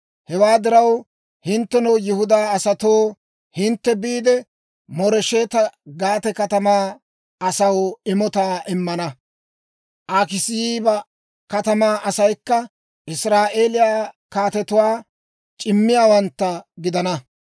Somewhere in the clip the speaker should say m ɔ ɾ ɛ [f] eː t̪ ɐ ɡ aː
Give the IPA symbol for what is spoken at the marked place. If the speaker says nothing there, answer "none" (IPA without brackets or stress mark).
ʃ